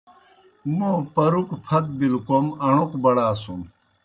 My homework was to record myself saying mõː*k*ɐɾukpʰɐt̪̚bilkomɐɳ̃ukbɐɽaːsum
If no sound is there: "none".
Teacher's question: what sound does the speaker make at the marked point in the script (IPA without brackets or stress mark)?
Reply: p